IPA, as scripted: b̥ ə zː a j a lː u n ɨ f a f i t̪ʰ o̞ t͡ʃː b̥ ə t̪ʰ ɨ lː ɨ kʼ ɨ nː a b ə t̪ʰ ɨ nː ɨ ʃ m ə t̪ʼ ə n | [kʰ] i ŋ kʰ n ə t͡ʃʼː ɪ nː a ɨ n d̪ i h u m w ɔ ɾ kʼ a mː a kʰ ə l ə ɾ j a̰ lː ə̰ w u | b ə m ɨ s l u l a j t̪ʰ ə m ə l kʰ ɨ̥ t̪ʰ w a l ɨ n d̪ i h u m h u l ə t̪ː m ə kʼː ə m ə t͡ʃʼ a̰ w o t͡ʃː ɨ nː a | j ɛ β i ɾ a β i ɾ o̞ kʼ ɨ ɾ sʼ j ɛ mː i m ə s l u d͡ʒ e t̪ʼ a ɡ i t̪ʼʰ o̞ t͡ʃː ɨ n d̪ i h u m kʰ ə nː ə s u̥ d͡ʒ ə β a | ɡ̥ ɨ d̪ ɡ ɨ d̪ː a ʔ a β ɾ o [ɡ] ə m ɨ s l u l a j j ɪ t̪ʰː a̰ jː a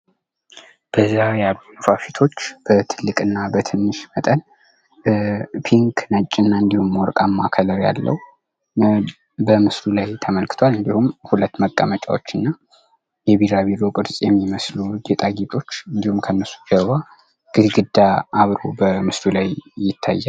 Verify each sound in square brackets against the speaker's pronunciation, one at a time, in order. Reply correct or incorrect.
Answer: incorrect, incorrect

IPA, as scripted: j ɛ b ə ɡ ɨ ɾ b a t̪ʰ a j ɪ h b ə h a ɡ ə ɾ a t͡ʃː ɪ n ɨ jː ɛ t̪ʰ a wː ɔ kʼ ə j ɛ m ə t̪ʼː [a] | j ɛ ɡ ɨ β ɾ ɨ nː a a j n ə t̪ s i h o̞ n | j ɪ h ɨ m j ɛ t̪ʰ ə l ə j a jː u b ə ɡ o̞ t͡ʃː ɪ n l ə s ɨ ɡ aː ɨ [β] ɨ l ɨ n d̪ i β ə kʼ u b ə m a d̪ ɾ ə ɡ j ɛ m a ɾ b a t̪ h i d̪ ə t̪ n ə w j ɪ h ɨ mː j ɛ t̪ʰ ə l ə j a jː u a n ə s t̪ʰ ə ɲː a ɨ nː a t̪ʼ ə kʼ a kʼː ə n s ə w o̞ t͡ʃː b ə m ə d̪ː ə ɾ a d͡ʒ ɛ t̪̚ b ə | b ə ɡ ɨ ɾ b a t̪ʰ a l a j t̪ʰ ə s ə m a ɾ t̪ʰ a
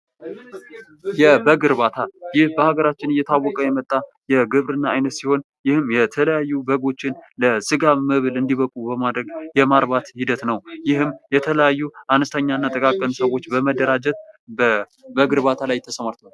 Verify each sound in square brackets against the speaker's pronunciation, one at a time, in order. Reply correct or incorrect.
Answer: correct, correct

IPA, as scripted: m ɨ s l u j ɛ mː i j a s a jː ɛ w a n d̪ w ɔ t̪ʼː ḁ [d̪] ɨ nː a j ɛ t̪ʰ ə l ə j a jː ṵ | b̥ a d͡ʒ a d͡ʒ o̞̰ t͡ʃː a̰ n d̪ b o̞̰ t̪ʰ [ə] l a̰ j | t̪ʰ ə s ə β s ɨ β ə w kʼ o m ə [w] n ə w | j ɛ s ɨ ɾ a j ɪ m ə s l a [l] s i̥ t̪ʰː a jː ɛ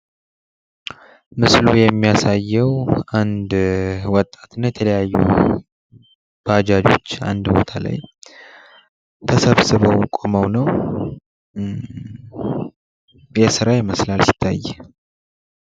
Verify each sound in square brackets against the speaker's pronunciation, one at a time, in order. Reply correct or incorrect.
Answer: incorrect, incorrect, correct, correct

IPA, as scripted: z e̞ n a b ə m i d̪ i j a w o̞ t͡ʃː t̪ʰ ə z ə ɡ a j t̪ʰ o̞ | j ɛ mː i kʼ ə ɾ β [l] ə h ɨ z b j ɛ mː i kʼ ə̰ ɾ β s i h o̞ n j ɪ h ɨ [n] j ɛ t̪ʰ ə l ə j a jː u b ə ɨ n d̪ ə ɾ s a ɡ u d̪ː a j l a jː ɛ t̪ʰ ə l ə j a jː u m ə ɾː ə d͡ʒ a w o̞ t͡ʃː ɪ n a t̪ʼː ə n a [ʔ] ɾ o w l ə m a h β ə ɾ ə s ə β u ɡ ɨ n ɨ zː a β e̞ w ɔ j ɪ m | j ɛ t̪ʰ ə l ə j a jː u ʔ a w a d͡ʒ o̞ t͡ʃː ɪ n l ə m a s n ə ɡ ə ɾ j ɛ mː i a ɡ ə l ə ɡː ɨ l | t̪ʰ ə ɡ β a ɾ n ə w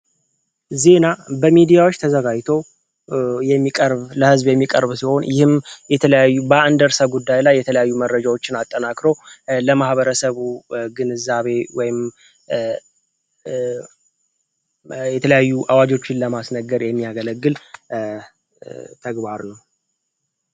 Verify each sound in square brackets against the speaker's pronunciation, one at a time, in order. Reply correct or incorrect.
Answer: correct, incorrect, incorrect

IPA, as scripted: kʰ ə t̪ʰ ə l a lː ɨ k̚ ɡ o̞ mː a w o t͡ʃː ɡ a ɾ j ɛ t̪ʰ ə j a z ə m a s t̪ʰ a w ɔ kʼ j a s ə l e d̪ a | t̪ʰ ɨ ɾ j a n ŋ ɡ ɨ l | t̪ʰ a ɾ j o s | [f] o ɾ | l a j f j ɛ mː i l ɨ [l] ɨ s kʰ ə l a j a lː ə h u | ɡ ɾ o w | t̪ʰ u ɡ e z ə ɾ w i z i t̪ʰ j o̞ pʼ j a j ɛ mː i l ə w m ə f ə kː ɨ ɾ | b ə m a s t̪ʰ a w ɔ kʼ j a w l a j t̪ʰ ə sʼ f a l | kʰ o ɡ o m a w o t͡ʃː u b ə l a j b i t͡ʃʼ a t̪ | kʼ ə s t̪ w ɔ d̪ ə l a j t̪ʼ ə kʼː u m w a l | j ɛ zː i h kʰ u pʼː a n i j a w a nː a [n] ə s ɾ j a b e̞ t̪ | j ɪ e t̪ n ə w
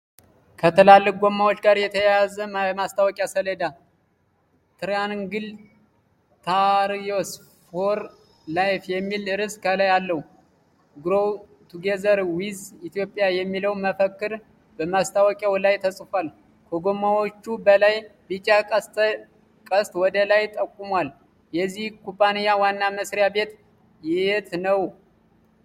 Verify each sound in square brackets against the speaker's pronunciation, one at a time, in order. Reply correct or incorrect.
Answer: correct, incorrect, incorrect

